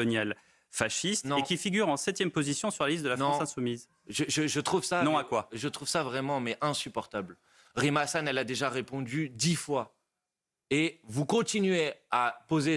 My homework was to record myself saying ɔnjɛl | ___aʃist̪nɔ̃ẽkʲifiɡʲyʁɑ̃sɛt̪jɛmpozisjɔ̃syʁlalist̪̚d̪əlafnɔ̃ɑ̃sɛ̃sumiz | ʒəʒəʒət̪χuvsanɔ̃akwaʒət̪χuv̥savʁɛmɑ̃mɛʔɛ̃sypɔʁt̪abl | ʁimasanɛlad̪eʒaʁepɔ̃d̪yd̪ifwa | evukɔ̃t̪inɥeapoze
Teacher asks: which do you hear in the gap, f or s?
f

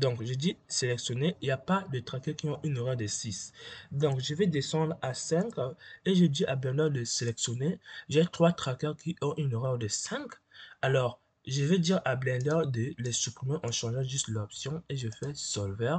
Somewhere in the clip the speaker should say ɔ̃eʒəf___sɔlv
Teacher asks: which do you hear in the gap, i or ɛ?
ɛ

